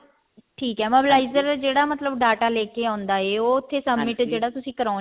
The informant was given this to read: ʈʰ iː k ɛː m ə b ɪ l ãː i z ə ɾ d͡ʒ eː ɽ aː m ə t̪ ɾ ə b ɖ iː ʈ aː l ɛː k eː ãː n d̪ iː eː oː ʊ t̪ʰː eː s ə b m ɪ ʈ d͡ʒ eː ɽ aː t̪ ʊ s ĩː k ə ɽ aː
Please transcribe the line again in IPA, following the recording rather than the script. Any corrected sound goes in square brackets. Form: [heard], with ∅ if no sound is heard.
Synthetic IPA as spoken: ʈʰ iː k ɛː m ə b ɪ l [aː] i z ə ɾ d͡ʒ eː ɽ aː m ə t̪ [l] ə b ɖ [aː] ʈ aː l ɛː k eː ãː n d̪ [aː] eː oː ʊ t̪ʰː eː s ə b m ɪ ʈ d͡ʒ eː ɽ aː t̪ ʊ s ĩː k ə [ɾ] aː